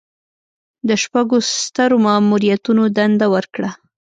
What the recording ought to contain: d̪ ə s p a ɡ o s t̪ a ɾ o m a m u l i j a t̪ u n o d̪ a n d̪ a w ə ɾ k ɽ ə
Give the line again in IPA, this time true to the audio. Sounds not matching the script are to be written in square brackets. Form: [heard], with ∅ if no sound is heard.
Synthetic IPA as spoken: d̪ ə [ʃ] p a ɡ o s t̪ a ɾ o m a m u [ɾ] i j a t̪ u n o d̪ a n d̪ a w ə ɾ k ɽ [a]